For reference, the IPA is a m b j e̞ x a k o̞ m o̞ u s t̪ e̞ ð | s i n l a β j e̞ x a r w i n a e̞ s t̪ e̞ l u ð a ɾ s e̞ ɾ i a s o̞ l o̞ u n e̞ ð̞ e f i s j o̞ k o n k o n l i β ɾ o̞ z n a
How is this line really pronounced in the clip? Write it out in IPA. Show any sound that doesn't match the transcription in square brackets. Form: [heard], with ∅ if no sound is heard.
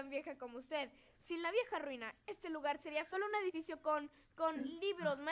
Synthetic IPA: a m b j e̞ x a k o̞ m o̞ u s t̪ e̞ ð | s i n l a β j e̞ x a r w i n a e̞ s t̪ e̞ l u [ɣ] a ɾ s e̞ ɾ i a s o̞ l o̞ u n e̞ ð̞ [i] f i s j o̞ k o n k o n l i β ɾ o̞ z [m] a